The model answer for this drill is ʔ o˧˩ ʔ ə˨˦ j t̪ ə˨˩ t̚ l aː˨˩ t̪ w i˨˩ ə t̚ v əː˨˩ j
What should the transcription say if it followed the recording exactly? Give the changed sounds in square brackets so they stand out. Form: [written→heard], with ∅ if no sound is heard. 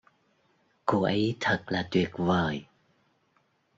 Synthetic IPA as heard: [ʔ→k] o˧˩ ʔ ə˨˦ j [t̪→t̪ʰ] ə˨˩ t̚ l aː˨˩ t̪ w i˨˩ ə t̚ v əː˨˩ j